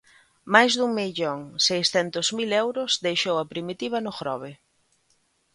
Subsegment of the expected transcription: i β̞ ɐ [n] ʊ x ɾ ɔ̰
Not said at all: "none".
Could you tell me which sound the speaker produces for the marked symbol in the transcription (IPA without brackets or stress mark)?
n